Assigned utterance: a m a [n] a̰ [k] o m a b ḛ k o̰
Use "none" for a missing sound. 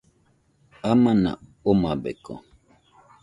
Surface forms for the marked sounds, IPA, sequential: n, none

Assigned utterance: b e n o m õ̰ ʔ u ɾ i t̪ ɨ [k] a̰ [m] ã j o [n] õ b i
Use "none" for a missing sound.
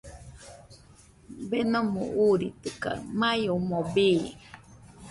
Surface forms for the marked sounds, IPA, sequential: k, m, m

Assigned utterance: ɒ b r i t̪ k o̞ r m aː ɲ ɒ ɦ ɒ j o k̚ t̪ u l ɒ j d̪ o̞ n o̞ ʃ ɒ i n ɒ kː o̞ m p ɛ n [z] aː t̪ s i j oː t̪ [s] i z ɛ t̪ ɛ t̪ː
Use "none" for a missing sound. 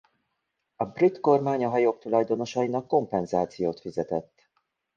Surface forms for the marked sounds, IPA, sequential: z, f

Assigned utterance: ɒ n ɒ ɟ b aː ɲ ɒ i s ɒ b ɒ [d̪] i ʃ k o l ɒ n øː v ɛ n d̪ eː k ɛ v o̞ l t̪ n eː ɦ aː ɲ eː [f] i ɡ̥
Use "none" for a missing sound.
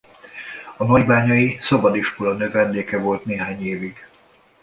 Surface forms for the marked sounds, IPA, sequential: d̪, v

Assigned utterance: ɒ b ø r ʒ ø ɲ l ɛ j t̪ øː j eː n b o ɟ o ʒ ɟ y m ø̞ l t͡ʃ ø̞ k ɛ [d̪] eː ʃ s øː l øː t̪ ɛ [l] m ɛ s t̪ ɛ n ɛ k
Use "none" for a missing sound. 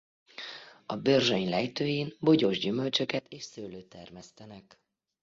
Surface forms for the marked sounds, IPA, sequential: t̪, r

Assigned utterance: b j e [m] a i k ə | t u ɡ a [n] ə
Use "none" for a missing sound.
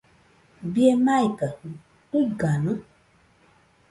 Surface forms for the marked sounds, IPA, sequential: m, n

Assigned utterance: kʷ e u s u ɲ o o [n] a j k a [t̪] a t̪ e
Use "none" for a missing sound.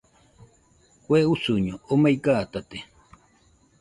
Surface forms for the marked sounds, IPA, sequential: m, t̪

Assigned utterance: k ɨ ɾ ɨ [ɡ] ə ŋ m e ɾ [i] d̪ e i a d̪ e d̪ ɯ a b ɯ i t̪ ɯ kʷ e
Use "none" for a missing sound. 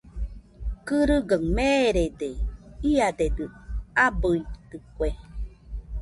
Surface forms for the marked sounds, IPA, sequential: ɡ, e

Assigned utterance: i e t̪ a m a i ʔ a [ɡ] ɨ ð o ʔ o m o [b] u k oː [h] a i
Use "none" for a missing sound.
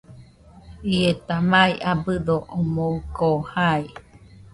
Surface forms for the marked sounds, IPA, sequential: b, none, h

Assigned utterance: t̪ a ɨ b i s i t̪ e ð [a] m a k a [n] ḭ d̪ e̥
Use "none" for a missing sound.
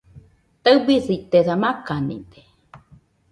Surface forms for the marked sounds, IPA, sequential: a, n

